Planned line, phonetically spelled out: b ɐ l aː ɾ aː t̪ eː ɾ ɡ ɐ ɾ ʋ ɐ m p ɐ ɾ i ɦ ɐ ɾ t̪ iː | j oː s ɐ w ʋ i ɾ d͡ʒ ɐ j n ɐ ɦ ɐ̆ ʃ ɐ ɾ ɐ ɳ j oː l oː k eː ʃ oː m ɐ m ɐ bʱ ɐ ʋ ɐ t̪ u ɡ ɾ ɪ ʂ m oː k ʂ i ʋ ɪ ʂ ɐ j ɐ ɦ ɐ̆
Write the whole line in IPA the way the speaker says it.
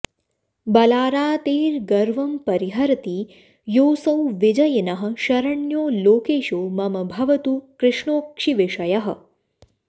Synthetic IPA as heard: b ɐ l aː ɾ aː t̪ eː ɾ ɡ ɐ ɾ ʋ ɐ m p ɐ ɾ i ɦ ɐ ɾ t̪ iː | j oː s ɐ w ʋ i d͡ʒ ɐ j n ɐ ɦ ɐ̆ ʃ ɐ ɾ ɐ ɳ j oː l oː k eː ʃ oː m ɐ m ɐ bʱ ɐ ʋ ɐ t̪ u k ɾ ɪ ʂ ɳ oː k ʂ i ʋ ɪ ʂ ɐ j ɐ ɦ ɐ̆